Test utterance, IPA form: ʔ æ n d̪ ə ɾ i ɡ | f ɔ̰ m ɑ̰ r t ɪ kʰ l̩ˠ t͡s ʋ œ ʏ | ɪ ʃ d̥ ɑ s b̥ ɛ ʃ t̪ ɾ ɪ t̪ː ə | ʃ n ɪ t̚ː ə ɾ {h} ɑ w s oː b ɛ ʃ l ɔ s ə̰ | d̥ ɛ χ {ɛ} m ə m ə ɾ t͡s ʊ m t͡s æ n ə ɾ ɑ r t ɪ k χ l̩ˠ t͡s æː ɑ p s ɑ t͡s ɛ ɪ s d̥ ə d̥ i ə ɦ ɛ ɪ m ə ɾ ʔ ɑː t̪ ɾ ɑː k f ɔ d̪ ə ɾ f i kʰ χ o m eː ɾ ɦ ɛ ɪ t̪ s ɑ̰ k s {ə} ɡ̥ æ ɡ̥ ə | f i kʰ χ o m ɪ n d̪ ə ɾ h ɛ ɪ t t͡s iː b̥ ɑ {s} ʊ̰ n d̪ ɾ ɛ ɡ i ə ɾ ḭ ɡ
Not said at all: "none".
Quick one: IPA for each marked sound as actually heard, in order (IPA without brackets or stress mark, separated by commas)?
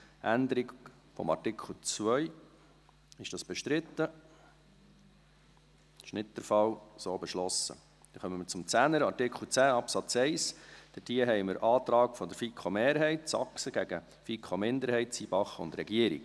f, œ, ə, χ